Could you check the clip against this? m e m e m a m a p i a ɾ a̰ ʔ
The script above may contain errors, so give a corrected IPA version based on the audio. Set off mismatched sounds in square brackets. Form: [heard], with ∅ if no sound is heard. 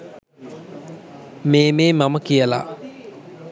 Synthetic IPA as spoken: m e m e m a m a [k] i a [l] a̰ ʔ